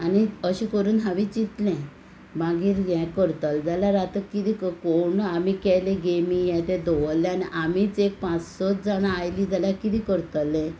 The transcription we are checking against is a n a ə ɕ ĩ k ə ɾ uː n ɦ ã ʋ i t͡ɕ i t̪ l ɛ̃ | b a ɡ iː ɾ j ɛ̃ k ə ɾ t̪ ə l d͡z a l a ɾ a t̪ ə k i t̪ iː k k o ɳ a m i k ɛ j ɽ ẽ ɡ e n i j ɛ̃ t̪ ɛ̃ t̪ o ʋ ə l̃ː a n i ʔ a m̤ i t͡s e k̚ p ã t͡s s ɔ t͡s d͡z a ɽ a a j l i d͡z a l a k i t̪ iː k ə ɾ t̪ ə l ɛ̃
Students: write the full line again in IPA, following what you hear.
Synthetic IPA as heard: a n i ə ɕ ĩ k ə ɾ uː n ɦ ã ʋ i t͡ɕ i t̪ l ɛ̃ | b a ɡ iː ɾ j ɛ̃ k ə ɾ t̪ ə l d͡z a l a ɾ a t̪ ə k i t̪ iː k k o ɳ a m i k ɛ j l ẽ ɡ e m i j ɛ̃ t̪ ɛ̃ d̪ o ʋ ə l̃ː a n i ʔ a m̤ i t͡s e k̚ p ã t͡s s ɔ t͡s d͡z a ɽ a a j l i d͡z a l a k i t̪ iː k ə ɾ t̪ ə l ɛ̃